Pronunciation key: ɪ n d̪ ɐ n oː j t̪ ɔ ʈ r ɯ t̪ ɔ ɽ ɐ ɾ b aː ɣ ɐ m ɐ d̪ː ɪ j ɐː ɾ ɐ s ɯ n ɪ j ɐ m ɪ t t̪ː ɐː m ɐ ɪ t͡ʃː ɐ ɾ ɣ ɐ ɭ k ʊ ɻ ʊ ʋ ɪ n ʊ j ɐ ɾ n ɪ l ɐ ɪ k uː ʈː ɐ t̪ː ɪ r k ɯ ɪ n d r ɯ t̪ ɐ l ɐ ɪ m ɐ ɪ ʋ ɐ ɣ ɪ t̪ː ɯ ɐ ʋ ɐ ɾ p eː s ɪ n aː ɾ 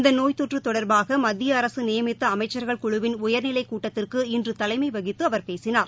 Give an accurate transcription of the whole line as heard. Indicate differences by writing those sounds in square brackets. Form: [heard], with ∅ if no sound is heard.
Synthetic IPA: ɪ n d̪ ɐ n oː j t̪ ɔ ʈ r ɯ t̪ ɔ ɽ ɐ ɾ b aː ɣ ɐ m ɐ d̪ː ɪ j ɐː ɾ ɐ s ɯ n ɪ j ɐ m ɪ t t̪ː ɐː m ɐ ɪ t͡ʃː ɐ ɾ ɣ ɐ ɭ k ʊ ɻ ʊ ʋ ɪ n ʊ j ɐ ɾ n ɪ l ɐ ɪ k uː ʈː ɐ t̪ː ɪ r k ɯ ɪ n d r ɯ t̪ ɐ l ɐ ɪ m ɐ ɪ ʋ ɐ ɣ ɪ t̪ː ɯ ɐ ʋ ɐ ɾ p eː s ɪ n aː ɾ